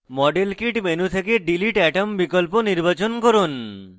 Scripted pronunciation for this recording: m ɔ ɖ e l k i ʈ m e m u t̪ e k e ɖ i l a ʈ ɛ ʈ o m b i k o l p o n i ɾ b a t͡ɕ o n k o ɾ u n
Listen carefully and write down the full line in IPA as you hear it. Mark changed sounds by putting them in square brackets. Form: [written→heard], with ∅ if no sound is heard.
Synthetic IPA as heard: m ɔ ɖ e l k i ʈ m e [m→n] u [t̪→t̪ʰ] e k e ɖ i l [a→i] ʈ ɛ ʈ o m b i k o l p o n i ɾ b a t͡ɕ o n k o ɾ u n